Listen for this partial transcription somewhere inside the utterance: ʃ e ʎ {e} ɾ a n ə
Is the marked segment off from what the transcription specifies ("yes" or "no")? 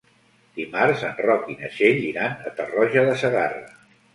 yes